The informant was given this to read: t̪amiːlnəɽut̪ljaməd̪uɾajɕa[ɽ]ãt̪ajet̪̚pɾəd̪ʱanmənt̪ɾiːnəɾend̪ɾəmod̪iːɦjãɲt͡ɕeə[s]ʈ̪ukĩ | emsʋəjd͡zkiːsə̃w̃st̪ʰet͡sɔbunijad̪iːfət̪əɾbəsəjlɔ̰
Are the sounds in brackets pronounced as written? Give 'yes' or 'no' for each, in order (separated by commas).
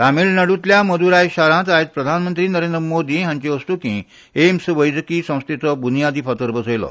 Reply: no, yes